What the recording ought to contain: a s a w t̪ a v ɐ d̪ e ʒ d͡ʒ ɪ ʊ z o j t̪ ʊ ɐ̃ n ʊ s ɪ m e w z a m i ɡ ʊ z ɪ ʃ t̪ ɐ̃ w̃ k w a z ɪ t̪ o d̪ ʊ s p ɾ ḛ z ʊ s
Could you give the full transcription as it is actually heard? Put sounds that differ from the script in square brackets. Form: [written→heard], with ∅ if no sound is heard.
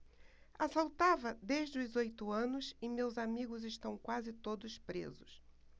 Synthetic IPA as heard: a s a w t̪ a v ɐ d̪ e ʒ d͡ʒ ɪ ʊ z o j t̪ ʊ ɐ̃ n ʊ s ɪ m e w z a m i ɡ ʊ z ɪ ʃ t̪ ɐ̃ w̃ k w a z ɪ t̪ o d̪ ʊ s p ɾ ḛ z ʊ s